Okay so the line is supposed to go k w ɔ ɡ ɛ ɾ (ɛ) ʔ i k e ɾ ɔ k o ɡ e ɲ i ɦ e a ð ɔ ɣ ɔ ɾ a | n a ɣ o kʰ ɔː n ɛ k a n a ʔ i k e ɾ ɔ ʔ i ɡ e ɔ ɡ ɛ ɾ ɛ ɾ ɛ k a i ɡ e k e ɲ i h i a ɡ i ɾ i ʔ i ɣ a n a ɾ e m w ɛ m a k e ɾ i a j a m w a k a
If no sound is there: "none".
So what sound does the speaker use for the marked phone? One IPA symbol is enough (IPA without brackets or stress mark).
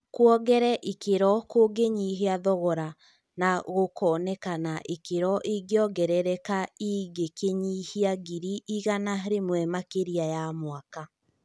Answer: ɛ